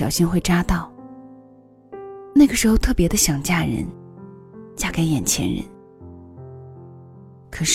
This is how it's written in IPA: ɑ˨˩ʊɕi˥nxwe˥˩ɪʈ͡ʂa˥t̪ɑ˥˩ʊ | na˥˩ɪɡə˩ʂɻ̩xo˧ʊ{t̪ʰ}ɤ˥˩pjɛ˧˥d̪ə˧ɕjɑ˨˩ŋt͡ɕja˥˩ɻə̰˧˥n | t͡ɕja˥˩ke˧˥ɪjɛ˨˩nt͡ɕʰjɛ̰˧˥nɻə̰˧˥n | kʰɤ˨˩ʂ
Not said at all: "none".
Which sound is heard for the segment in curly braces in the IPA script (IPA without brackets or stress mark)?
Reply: t̪ʰ